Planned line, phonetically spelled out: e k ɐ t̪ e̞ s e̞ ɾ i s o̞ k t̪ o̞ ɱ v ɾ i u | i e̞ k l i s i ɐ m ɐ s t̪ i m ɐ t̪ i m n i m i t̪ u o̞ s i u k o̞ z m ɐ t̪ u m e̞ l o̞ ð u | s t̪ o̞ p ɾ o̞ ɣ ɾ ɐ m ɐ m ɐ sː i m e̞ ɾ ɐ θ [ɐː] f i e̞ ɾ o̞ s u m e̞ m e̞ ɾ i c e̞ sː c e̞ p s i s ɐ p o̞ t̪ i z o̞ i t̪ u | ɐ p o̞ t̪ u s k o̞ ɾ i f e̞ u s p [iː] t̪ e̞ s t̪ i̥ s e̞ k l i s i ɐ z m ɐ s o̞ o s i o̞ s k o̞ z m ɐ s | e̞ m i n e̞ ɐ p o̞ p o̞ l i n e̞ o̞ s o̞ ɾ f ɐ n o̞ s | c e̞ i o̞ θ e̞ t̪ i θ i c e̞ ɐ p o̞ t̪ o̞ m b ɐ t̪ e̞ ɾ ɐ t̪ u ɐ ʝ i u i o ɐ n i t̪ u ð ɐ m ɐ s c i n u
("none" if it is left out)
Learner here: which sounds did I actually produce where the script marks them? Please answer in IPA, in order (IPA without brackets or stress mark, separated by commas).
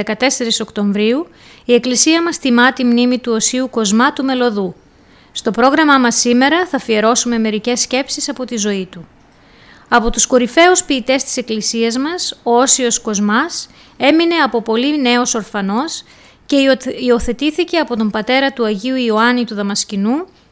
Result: ɐ, iː